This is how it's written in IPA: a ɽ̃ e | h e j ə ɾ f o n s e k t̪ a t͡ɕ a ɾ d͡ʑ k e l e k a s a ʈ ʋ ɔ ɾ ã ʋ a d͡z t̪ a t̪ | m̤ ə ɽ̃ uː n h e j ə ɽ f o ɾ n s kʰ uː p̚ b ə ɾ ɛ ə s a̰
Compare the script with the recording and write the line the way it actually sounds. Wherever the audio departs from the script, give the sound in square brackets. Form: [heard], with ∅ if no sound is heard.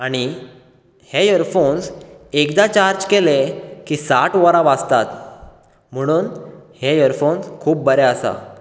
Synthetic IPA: a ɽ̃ [i] | h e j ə ɾ f o n s e k [d̪] a t͡ɕ a ɾ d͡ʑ k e l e k [i] s a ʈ ʋ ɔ ɾ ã ʋ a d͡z t̪ a t̪ | m̤ ə ɽ̃ uː n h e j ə [ɾ] f o [∅] n s kʰ uː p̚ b ə ɾ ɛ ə s a̰